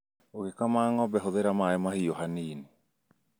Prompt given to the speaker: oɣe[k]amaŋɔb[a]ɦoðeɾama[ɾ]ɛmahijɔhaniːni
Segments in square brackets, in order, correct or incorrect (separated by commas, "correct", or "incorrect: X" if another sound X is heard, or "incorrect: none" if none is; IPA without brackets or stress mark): correct, incorrect: ɛ, incorrect: none